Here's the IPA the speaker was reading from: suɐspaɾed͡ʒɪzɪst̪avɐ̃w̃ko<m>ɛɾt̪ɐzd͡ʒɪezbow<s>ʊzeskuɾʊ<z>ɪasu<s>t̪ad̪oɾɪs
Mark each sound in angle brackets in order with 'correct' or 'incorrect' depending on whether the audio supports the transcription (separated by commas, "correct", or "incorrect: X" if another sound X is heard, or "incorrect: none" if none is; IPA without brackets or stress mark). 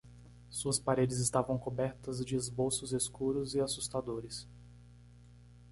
incorrect: b, correct, correct, correct